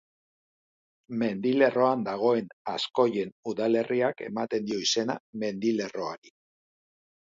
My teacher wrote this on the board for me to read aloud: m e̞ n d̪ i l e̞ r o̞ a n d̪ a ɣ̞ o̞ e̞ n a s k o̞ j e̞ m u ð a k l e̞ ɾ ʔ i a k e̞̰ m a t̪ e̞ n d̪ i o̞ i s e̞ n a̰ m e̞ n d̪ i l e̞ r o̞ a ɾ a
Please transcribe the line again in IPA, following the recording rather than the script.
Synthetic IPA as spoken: m e̞ n d̪ i l e̞ r o̞ a n d̪ a ɣ̞ o̞ e̞ n a s k o̞ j e̞ n u ð a l e̞ r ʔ i a k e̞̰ m a t̪ e̞ n d̪ i o̞ i s e̞ n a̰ m e̞ n d̪ i l e̞ r o̞ a ɾ i